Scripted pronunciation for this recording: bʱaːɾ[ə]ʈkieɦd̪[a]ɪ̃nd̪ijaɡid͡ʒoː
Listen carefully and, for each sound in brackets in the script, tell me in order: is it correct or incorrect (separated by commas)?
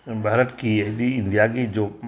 correct, incorrect